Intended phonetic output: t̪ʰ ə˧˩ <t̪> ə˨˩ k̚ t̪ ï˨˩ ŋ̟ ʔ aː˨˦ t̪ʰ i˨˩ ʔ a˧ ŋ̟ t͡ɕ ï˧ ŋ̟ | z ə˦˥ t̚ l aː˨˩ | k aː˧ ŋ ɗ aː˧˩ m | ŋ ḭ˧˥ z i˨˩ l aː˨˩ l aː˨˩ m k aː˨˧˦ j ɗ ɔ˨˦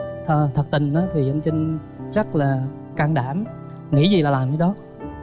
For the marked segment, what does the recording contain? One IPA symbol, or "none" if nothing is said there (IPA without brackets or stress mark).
t̪ʰ